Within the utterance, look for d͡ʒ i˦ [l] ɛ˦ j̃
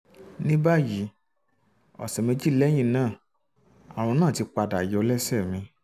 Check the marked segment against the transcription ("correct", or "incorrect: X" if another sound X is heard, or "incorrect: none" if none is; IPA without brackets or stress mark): correct